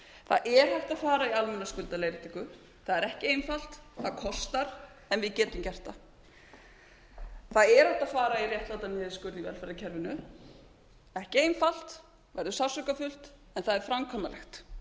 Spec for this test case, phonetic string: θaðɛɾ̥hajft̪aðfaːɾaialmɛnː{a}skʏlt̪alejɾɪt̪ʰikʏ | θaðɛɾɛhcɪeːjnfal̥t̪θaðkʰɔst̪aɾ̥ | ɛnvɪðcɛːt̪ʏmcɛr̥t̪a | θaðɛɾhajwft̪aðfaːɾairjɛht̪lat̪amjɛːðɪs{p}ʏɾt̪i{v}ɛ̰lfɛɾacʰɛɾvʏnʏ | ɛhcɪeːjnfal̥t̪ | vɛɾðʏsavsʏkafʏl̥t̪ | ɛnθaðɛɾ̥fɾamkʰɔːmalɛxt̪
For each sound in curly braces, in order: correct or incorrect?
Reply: correct, incorrect: k, correct

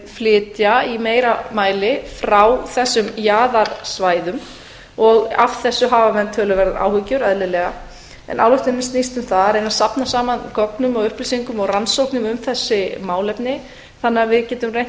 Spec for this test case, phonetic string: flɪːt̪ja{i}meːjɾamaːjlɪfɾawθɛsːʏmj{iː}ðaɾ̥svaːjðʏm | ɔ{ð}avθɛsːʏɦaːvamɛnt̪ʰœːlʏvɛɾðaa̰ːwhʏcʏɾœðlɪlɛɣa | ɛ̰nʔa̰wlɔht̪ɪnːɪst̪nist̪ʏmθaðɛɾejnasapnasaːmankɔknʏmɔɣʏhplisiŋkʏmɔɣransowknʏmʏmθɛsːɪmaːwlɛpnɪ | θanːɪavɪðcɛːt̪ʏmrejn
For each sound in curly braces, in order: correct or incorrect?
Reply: correct, incorrect: aː, incorrect: ɣ

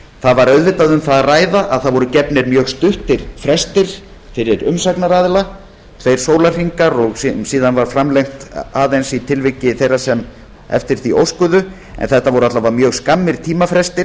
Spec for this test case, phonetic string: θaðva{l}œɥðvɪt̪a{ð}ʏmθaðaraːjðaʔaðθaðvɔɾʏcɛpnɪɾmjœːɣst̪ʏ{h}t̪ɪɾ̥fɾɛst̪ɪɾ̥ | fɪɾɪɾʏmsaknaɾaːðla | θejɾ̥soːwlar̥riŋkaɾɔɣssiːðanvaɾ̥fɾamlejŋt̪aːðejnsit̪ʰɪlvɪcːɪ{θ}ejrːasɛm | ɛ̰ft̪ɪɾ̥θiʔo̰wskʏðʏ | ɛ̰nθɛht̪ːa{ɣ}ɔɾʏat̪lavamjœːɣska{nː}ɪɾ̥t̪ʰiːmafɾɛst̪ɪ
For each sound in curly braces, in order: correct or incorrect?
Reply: incorrect: ɾ, correct, correct, correct, incorrect: v, incorrect: mː

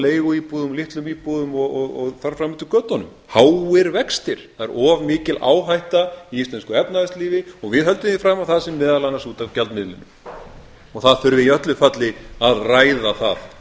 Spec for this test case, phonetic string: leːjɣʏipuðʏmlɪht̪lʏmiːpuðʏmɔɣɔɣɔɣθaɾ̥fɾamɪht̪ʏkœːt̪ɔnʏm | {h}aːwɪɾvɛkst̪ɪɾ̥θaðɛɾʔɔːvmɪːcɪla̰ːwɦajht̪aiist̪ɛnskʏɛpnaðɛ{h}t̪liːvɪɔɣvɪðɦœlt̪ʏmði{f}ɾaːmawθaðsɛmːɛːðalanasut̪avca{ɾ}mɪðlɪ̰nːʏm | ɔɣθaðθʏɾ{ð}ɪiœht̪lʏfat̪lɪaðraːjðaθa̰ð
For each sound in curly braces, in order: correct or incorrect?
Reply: correct, incorrect: s, correct, incorrect: l, incorrect: v

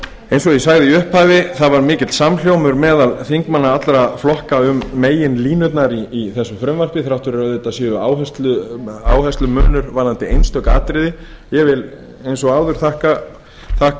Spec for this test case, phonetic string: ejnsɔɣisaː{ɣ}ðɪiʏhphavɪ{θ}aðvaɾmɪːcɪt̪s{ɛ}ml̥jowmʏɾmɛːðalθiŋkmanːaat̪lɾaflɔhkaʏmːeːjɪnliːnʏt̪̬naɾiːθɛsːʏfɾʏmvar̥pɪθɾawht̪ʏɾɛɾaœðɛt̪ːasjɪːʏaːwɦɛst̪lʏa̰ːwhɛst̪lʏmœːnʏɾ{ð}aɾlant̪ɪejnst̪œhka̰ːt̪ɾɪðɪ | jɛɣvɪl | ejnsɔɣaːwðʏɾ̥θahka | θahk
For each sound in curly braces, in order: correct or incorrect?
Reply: correct, correct, incorrect: a, incorrect: v

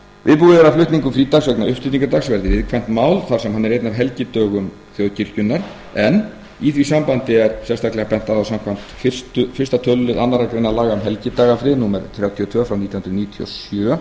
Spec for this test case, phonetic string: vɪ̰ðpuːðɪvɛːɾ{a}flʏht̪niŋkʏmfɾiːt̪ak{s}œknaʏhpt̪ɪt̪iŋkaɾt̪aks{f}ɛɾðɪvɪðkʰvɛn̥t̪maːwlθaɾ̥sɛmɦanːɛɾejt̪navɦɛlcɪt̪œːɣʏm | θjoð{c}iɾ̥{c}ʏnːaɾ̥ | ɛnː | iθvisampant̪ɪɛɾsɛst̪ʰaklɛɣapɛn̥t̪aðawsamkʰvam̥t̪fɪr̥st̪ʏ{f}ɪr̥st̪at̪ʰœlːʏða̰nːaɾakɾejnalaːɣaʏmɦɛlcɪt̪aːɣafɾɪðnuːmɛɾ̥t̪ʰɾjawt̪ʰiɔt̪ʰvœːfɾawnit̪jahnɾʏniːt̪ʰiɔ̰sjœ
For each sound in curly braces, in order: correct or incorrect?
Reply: correct, correct, incorrect: v, correct, correct, correct

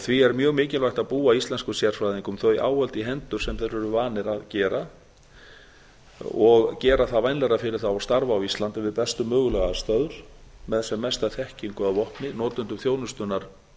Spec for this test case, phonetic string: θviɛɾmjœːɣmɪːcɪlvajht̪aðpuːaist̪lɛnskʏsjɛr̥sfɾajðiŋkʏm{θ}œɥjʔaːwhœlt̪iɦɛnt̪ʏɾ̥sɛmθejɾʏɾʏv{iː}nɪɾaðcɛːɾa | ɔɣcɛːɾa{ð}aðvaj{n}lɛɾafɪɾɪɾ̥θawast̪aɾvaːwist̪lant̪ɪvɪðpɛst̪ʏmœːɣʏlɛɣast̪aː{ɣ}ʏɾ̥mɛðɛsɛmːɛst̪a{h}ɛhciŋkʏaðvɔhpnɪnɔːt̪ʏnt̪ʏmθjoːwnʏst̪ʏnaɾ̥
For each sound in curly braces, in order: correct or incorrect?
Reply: correct, incorrect: aː, incorrect: θ, correct, incorrect: ð, incorrect: θ

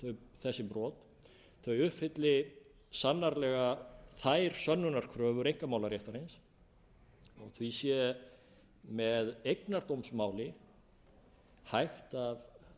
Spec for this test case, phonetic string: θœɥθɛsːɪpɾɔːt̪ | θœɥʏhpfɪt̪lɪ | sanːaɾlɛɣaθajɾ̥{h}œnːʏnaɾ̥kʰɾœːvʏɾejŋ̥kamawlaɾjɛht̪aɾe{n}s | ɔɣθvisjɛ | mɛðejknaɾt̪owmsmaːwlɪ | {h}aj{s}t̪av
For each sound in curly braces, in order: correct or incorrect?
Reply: incorrect: s, correct, correct, incorrect: x

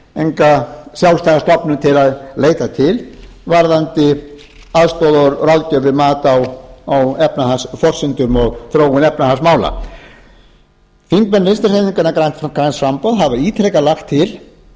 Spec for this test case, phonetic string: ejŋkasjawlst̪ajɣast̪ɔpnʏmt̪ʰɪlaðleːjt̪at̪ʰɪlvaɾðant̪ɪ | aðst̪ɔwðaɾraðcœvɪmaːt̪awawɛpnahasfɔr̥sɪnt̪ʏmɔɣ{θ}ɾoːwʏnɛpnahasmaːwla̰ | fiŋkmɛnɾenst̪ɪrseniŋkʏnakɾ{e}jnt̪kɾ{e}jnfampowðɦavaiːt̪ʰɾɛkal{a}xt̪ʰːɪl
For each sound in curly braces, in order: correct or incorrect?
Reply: correct, incorrect: a, incorrect: a, correct

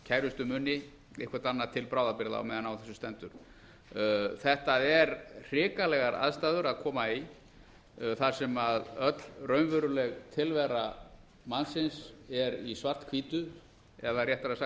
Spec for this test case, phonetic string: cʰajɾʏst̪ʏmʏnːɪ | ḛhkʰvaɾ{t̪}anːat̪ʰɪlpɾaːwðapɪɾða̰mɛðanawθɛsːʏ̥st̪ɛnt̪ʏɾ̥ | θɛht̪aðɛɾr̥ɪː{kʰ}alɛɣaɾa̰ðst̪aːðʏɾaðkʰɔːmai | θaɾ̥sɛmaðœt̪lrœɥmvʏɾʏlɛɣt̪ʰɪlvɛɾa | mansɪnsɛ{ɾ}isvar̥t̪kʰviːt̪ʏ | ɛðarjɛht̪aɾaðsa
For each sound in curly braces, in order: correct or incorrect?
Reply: correct, incorrect: k, correct

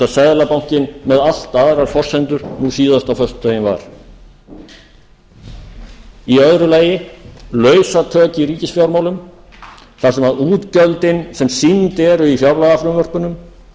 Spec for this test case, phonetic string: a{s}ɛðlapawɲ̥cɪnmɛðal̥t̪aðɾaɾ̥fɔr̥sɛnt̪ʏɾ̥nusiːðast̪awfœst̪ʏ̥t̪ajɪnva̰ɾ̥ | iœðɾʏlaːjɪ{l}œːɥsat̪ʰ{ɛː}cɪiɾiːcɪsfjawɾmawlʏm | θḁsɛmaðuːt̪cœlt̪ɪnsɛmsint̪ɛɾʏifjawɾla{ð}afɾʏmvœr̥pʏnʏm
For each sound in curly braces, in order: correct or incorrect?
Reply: correct, correct, incorrect: œː, incorrect: ɣ

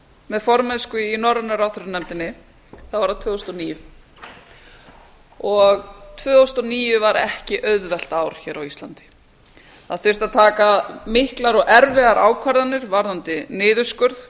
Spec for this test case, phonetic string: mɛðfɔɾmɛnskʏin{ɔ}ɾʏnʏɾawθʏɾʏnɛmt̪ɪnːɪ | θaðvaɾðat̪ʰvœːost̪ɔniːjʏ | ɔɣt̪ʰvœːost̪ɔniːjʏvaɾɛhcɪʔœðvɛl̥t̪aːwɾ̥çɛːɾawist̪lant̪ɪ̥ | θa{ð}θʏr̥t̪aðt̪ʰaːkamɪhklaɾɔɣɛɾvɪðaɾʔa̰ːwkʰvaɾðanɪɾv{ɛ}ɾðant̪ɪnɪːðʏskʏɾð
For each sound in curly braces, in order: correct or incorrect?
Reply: correct, correct, incorrect: a

